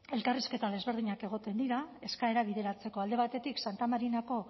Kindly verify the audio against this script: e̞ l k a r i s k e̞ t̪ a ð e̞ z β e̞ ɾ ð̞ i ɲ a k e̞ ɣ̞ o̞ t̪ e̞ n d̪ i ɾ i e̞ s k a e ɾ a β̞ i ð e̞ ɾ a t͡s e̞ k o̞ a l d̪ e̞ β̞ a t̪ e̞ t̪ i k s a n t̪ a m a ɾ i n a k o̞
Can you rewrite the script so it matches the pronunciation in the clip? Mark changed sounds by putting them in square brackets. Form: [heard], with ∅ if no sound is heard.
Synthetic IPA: e̞ l k a r i s k e̞ t̪ a ð e̞ z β e̞ ɾ ð̞ i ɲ a k e̞ ɣ̞ o̞ t̪ e̞ n d̪ i ɾ [a] e̞ s k a e ɾ a β̞ i ð e̞ ɾ a t͡s e̞ k o̞ a l d̪ e̞ β̞ a t̪ e̞ t̪ i k s a n t̪ a m a ɾ i n a k o̞